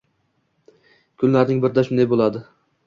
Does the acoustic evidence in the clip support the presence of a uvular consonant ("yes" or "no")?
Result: no